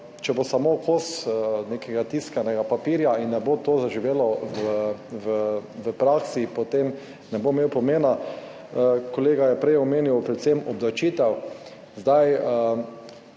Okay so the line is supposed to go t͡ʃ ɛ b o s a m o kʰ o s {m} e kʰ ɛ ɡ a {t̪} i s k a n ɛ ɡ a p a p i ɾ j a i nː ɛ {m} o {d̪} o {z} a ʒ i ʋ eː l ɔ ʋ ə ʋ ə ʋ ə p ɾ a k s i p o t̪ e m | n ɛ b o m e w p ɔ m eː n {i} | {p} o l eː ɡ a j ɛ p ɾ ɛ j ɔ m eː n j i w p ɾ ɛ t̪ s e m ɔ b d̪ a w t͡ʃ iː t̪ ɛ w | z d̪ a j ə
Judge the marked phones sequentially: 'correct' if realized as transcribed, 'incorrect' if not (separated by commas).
incorrect, correct, incorrect, incorrect, correct, incorrect, incorrect